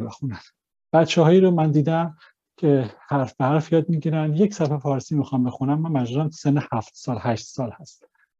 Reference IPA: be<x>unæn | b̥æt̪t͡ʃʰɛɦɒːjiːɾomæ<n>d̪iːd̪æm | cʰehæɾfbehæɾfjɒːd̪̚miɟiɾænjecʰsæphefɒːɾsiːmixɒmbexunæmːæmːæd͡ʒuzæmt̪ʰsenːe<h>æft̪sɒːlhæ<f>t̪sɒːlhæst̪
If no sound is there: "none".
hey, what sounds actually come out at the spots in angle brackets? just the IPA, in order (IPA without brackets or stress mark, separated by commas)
x, n, h, ʃ